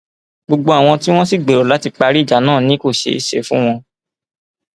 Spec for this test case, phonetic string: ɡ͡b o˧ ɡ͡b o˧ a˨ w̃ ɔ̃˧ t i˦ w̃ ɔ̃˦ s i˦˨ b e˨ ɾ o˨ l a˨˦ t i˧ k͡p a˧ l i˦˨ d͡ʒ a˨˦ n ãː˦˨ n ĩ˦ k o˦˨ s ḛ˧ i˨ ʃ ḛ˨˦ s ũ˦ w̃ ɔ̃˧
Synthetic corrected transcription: ɡ͡b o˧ ɡ͡b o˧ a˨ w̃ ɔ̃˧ t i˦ w̃ ɔ̃˦ s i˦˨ ɡ͡b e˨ ɾ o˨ l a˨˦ t i˧ k͡p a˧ ɾ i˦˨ d͡ʒ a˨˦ n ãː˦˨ n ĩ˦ k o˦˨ ʃ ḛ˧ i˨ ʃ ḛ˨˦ f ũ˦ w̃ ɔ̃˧